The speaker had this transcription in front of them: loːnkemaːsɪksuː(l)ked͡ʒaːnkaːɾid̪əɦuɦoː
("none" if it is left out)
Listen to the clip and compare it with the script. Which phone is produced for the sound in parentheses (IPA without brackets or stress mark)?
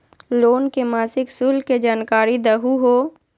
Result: l